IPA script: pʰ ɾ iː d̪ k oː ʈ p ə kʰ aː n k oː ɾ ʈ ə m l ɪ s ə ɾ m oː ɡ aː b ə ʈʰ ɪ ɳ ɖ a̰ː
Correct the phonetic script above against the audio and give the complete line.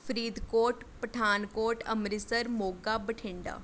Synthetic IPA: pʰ ɾ iː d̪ k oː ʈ p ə ʈʰ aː n k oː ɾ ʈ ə m ɾ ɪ s ə ɾ m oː ɡ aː b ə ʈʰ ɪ ɳ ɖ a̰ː